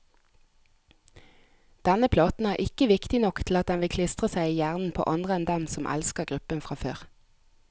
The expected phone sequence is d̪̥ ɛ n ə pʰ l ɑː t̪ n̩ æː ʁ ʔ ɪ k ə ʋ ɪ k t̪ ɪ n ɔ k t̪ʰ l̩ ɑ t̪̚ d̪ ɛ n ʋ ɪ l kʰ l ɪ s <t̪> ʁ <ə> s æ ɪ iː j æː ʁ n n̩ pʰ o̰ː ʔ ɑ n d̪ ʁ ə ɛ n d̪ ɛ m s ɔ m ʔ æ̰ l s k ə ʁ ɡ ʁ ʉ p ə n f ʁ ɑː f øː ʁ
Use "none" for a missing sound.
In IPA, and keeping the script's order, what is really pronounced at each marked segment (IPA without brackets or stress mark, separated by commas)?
t̪, ə